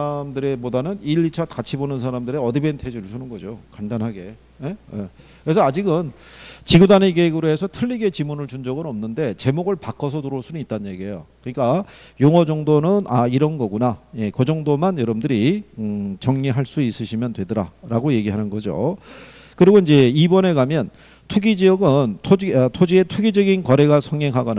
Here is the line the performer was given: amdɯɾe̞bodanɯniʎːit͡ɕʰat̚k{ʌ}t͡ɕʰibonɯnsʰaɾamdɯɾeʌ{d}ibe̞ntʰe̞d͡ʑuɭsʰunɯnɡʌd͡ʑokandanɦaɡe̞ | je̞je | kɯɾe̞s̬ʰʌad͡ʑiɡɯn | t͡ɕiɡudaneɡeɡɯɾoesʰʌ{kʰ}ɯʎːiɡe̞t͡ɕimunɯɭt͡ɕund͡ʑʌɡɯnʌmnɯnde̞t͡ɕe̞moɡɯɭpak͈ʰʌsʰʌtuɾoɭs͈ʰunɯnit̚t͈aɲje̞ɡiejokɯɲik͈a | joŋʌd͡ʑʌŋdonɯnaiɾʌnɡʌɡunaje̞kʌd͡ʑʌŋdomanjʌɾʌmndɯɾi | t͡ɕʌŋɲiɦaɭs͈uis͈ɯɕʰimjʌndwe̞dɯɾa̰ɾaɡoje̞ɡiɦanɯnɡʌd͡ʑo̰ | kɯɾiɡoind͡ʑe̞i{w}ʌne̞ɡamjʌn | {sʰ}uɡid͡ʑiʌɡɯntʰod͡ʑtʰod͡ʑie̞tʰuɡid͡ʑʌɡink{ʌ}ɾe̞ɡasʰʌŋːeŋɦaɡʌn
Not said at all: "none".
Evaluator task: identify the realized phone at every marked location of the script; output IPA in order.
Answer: a, d, tʰ, b, tʰ, ʌ

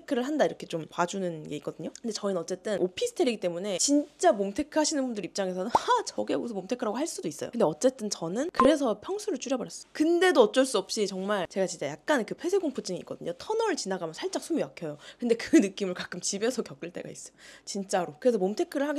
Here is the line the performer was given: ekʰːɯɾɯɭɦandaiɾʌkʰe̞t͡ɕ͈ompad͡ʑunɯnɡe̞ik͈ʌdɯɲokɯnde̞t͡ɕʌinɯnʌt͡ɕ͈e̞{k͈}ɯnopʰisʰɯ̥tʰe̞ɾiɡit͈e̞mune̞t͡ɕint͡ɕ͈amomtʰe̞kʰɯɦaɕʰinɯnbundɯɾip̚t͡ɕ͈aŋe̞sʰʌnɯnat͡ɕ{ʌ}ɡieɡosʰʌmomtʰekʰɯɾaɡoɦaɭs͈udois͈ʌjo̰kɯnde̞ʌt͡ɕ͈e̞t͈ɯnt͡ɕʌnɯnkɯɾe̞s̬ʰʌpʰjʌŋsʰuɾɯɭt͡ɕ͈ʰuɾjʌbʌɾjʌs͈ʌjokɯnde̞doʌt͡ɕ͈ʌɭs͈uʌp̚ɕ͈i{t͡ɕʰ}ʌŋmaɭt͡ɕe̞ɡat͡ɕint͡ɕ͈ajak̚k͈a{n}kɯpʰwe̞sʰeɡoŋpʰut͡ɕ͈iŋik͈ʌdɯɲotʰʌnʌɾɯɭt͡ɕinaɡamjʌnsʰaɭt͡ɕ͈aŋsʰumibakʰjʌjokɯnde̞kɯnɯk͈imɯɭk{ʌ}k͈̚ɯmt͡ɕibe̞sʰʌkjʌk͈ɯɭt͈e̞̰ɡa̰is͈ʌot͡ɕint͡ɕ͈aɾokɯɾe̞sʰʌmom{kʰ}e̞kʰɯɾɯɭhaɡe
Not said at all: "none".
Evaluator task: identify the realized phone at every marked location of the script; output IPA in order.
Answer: t͈, ʌ, t͡ɕ, n, a, tʰ

